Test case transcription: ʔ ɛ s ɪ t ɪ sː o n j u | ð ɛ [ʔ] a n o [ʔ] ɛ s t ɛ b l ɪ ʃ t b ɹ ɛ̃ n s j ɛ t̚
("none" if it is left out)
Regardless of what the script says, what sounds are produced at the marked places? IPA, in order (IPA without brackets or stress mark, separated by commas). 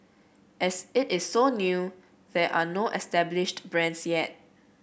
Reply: ʔ, ʔ